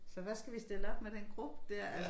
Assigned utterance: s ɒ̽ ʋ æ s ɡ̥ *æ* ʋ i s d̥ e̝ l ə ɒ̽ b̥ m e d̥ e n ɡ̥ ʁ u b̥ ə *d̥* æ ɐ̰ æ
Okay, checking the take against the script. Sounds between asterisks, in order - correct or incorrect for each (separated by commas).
correct, correct